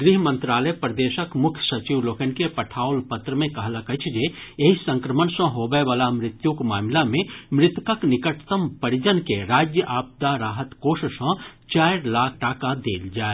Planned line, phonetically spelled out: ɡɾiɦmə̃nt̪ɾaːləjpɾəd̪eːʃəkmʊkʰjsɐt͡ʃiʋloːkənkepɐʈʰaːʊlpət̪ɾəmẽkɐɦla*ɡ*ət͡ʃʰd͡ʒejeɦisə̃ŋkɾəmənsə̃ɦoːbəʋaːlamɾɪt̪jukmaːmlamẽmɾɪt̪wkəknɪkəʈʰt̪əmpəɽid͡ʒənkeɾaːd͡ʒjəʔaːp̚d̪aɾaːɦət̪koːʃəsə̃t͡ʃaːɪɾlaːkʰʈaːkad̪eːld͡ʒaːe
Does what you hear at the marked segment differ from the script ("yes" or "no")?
yes